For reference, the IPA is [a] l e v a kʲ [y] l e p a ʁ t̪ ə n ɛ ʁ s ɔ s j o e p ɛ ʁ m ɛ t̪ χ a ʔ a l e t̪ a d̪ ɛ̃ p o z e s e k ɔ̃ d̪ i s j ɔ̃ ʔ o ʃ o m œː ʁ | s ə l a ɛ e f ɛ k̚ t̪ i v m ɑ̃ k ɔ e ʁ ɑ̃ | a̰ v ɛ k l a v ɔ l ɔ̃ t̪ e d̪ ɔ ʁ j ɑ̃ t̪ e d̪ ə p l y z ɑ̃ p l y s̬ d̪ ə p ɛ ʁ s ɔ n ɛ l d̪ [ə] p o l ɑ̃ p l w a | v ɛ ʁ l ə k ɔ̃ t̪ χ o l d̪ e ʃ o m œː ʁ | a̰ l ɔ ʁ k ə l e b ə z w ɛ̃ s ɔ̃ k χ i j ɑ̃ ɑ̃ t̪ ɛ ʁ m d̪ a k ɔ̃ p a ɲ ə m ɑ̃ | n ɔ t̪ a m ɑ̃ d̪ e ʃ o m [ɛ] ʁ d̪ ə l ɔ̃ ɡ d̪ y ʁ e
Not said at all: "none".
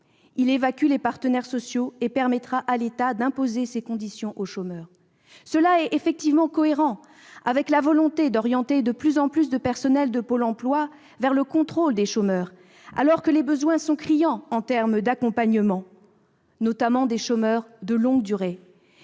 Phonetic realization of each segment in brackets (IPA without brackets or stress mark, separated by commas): i, y, ə, œ